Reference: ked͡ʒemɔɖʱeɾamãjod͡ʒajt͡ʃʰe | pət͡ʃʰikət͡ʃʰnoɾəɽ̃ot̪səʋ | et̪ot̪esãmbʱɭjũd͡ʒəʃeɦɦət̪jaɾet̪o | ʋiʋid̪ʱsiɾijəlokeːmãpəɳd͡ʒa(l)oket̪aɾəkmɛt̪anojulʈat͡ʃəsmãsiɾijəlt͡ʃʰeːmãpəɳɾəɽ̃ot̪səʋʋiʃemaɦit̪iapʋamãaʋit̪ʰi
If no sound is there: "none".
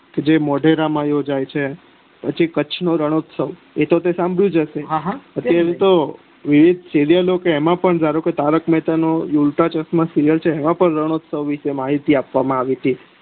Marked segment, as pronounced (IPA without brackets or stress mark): ɾ